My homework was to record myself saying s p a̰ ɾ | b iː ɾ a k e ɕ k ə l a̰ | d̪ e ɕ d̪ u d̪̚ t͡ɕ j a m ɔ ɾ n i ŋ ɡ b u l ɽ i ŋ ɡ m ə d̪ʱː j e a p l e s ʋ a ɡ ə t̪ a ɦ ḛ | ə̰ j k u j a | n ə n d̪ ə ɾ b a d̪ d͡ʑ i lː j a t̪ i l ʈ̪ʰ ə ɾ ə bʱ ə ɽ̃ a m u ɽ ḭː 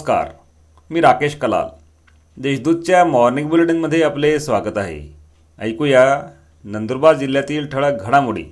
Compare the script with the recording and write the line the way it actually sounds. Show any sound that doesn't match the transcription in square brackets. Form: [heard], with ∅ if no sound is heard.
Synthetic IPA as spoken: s [k] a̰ ɾ | [m] iː ɾ a k e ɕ k ə l a̰ | d̪ e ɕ d̪ u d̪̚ t͡ɕ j a m ɔ ɾ n i ŋ ɡ b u l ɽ i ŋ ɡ m ə d̪ʱː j e a p l e s ʋ a ɡ ə t̪ a ɦ ḛ | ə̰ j k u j a | n ə n d̪ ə ɾ b a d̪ d͡ʑ i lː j a t̪ [iː] l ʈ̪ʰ ə [ɭ] ə [ɡʱ] ə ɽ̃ a m u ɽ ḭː